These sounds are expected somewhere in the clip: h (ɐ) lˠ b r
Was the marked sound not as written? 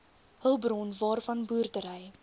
yes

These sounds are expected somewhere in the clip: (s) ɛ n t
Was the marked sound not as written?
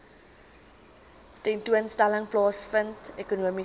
yes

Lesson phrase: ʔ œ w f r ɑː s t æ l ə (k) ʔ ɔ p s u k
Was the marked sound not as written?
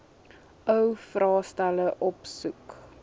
yes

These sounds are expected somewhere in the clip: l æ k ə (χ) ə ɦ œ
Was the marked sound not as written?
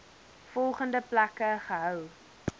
no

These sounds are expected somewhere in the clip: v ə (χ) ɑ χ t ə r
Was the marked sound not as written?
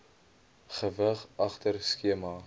no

